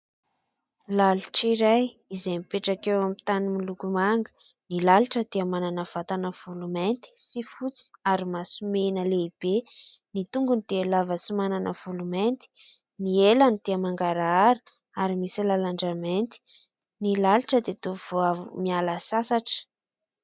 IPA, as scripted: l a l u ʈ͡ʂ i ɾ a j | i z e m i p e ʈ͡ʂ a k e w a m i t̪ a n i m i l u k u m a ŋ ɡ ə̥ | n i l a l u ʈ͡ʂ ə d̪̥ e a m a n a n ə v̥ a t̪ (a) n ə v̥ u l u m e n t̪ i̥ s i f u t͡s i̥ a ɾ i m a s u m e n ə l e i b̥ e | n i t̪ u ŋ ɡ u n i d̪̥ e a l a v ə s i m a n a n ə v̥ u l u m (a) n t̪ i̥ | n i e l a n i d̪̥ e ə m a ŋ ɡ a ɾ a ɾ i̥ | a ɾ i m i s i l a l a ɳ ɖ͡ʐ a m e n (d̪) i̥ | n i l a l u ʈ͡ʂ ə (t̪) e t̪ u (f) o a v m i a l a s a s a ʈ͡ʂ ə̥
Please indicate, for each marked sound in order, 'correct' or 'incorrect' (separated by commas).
correct, incorrect, incorrect, incorrect, incorrect